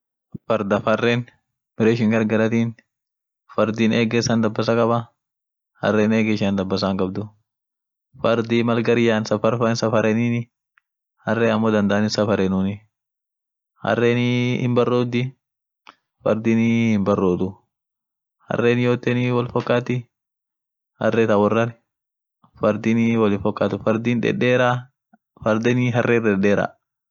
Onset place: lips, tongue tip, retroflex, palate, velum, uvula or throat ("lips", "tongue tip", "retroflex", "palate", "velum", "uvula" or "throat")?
lips